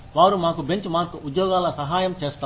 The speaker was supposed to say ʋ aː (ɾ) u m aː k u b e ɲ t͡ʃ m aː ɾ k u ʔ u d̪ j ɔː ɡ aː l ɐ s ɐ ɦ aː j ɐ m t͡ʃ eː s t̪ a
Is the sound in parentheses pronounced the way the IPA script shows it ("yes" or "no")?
yes